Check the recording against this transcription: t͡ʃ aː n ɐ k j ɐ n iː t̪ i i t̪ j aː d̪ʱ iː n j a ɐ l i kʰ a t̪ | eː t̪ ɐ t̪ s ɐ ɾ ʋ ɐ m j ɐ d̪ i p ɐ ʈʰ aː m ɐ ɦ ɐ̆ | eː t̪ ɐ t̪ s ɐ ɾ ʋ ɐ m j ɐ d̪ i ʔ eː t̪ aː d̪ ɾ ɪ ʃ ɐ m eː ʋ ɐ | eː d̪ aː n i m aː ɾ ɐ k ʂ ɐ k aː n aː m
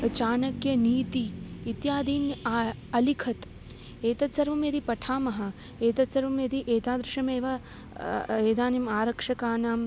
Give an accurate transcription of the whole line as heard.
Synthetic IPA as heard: t͡ʃ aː n ɐ k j ɐ n iː t̪ i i t̪ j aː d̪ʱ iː n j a ɐ l i kʰ ɐ t̪ | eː t̪ ɐ t̪ s ɐ ɾ ʋ ɐ m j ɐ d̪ i p ɐ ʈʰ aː m ɐ ɦ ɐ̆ | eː t̪ ɐ t̪ s ɐ ɾ ʋ ɐ m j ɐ d̪ i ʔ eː t̪ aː d̪ ɾ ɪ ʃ ɐ m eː ʋ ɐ | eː d̪ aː n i m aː ɾ ɐ k ʂ ɐ k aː n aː m